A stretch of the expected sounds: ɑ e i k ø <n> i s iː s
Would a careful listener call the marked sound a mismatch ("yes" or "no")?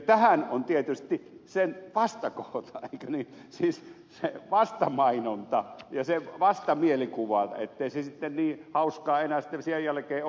no